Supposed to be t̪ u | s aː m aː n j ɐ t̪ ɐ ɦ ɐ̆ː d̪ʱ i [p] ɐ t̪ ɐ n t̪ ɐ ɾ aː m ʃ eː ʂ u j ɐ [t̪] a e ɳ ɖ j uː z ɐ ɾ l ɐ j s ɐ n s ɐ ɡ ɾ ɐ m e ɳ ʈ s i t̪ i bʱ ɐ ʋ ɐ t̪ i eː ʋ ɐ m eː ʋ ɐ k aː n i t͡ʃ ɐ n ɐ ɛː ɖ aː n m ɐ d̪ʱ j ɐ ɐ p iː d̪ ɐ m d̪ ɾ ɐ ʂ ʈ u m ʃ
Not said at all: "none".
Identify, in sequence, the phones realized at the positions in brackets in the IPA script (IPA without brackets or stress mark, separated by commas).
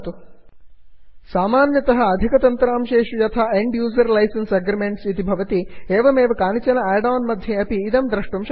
k, t̪ʰ